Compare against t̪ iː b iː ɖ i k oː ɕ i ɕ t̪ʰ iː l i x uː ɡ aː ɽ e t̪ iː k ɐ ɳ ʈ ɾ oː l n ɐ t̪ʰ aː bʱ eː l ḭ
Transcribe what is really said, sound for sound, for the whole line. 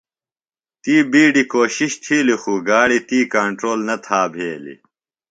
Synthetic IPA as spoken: t̪ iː b iː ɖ i k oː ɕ i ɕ t̪ʰ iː l i x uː ɡ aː ɽ i t̪ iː k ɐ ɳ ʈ ɾ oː l n ɐ t̪ʰ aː bʱ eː l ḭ